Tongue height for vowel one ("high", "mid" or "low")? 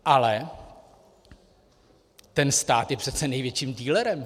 low